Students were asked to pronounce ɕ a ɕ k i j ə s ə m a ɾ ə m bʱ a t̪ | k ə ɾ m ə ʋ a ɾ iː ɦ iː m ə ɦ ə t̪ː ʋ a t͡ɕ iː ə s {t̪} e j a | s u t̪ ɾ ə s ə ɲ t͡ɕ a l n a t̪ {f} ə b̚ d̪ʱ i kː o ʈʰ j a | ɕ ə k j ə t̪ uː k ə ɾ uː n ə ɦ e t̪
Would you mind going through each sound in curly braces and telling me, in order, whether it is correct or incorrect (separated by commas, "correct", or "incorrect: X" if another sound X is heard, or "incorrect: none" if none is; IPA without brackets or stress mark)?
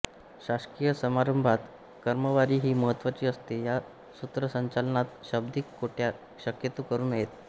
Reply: correct, incorrect: ɕ